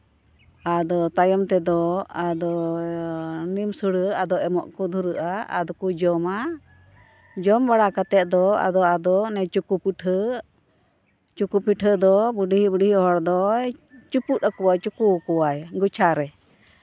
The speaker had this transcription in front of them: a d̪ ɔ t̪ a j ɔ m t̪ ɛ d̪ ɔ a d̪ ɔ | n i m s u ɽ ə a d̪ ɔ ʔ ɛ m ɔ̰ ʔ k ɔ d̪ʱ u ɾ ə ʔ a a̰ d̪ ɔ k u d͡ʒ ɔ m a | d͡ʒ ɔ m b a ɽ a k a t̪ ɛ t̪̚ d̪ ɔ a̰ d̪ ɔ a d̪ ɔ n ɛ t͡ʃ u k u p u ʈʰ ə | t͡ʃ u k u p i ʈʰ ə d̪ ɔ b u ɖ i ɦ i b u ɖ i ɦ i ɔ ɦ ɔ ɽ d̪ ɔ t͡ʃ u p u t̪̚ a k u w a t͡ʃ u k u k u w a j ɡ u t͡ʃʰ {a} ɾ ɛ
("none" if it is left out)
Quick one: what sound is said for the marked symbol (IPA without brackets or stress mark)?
a